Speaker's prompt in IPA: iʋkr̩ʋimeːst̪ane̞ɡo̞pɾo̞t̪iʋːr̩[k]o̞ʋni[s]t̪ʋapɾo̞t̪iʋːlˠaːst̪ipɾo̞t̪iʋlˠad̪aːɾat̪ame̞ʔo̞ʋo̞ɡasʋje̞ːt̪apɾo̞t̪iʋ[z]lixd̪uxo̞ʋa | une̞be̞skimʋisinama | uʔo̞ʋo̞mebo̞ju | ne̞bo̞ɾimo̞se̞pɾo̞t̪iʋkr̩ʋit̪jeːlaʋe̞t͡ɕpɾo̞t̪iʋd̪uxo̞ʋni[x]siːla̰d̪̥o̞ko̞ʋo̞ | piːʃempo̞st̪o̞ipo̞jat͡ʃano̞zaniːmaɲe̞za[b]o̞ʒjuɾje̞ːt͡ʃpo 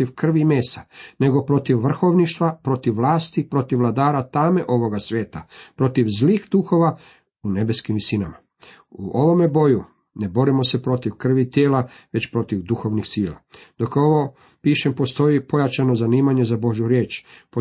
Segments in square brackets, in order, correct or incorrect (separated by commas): incorrect, incorrect, correct, correct, correct